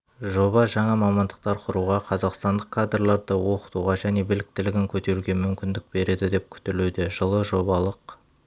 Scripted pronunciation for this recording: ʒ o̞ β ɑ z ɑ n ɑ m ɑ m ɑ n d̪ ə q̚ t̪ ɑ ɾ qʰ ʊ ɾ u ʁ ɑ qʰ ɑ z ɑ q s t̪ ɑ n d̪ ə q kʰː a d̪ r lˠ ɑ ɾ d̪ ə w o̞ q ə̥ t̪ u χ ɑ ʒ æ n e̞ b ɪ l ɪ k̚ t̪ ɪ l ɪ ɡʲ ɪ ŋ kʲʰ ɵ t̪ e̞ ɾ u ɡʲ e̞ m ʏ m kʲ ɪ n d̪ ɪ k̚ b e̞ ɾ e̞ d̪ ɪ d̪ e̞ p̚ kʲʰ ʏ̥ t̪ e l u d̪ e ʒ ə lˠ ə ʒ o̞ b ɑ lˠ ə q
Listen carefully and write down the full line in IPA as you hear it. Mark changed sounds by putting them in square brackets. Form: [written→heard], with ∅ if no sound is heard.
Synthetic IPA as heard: ʒ o̞ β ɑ [z→ʒ] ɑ [n→ɴ] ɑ m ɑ m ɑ n d̪ ə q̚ t̪ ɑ ɾ qʰ ʊ ɾ u ʁ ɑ qʰ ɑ z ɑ q s t̪ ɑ n d̪ ə q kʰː a d̪ r lˠ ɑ ɾ d̪ ə w o̞ q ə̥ t̪ u [χ→ʁ] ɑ ʒ æ n e̞ b ɪ l ɪ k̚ t̪ ɪ l ɪ ɡʲ ɪ ŋ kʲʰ ɵ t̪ e̞ ɾ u ɡʲ e̞ m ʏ m kʲ ɪ n d̪ ɪ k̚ b e̞ ɾ e̞ d̪ ɪ d̪ e̞ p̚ kʲʰ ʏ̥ t̪ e l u d̪ e ʒ ə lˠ ə ʒ o̞ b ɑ lˠ ə q

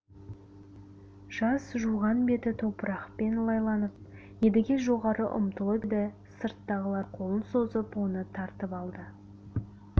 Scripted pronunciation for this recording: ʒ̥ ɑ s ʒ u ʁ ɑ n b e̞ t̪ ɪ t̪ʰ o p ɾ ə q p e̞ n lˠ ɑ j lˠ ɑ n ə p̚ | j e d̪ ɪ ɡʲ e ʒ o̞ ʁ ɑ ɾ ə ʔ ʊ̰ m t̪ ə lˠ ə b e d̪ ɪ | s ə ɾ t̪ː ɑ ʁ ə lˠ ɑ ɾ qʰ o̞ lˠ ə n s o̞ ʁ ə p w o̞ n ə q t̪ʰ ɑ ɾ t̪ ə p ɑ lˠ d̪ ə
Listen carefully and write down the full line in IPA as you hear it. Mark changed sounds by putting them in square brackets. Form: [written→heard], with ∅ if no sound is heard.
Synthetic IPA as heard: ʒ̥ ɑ s ʒ u ʁ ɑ n b e̞ t̪ ɪ t̪ʰ o p ɾ [ə→ɑ] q p e̞ n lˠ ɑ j lˠ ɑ n ə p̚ | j e d̪ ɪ ɡʲ e ʒ o̞ ʁ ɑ ɾ ə ʔ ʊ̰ m t̪ ə lˠ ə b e d̪ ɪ | s ə ɾ t̪ː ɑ ʁ ə lˠ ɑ ɾ qʰ o̞ lˠ ə n s o̞ [ʁ→z] ə p w o̞ n ə [q→∅] t̪ʰ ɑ ɾ t̪ ə p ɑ lˠ d̪ ə

